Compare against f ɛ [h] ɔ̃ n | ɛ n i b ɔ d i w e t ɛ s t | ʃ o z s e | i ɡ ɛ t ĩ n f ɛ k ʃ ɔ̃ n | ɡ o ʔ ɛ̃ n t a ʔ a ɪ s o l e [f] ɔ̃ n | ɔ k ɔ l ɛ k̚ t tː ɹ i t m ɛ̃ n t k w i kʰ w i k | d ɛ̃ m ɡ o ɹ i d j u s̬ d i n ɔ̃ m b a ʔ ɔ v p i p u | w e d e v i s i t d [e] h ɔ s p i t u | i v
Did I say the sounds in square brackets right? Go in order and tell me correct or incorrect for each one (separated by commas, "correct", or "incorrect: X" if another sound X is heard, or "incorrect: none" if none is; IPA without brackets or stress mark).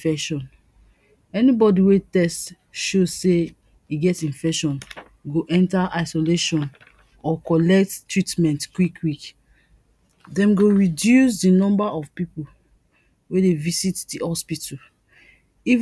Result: incorrect: ʃ, incorrect: ʃ, incorrect: i